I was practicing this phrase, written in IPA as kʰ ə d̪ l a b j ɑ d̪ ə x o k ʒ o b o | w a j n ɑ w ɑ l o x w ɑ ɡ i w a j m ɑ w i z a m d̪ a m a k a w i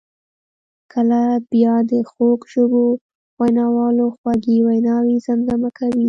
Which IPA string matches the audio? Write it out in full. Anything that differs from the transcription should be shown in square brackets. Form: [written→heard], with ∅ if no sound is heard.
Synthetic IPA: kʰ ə [d̪→∅] l a b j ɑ d̪ ə x o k ʒ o b o | w a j n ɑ w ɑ l o x w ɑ ɡ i w a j [m→n] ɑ w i z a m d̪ a m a k a w i